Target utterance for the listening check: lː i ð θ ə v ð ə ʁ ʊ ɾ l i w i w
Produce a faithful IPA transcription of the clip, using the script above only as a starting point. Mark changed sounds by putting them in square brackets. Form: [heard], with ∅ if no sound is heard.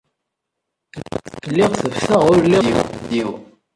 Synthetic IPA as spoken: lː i [ʁ] θ ə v [θ] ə ʁ ʊ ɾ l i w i w